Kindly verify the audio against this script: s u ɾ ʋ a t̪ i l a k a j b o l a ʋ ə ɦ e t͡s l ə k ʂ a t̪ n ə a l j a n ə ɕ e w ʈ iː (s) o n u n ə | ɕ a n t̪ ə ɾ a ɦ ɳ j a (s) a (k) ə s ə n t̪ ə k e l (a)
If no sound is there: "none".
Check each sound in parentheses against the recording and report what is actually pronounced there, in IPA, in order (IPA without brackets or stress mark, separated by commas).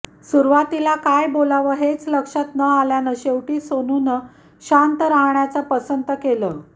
s, t͡s, p, ə